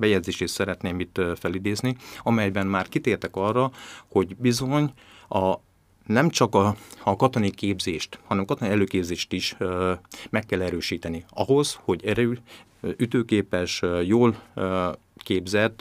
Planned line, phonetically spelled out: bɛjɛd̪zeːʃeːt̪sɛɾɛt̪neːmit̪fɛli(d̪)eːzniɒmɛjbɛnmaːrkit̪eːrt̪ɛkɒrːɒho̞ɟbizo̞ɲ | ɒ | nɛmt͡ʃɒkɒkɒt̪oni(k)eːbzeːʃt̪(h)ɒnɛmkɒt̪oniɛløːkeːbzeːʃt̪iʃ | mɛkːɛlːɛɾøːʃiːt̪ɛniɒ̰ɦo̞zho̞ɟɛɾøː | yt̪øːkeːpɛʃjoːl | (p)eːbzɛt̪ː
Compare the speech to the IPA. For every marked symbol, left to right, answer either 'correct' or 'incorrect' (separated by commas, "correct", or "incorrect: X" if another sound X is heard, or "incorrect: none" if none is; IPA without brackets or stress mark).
correct, correct, correct, incorrect: k